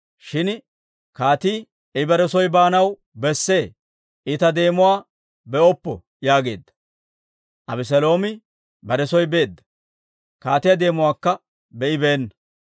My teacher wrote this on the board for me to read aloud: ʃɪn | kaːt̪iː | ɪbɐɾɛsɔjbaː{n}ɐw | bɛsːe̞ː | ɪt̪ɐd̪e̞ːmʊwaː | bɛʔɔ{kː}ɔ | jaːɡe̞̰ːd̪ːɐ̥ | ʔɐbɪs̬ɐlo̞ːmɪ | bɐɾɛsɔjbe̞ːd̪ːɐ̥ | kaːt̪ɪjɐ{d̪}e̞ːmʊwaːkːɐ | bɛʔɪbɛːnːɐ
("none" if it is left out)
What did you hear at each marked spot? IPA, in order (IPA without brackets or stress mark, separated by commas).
n, pː, d̪